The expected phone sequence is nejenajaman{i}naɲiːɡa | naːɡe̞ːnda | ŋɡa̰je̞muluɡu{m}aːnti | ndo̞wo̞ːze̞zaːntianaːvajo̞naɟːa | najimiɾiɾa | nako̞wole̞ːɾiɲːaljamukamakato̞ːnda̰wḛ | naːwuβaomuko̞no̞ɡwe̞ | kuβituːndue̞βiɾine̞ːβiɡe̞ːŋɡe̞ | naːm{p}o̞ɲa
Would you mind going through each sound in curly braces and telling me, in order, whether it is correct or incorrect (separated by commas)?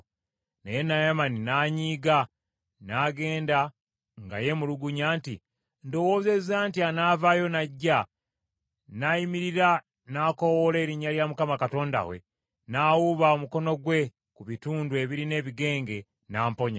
correct, incorrect, correct